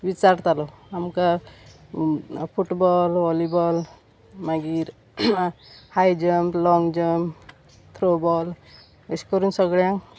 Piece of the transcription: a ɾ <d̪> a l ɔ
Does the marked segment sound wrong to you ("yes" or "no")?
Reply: yes